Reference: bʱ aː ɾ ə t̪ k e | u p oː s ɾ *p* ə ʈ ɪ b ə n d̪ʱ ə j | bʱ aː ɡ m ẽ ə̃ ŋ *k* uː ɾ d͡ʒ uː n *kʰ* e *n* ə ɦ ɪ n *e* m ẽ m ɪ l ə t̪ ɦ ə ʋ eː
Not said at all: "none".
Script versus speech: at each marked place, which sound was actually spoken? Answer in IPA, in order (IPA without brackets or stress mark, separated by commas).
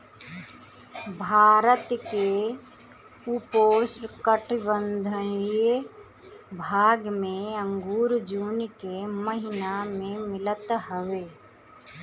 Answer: k, ɡ, k, m, a